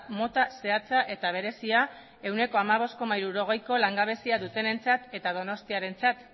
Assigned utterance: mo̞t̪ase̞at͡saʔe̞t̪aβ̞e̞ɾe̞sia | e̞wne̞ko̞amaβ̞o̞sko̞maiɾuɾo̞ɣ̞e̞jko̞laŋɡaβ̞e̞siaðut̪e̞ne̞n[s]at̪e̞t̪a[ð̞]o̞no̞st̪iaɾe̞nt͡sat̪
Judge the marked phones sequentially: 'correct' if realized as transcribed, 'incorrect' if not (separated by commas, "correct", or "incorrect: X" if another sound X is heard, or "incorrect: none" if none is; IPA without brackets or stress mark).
incorrect: t͡s, correct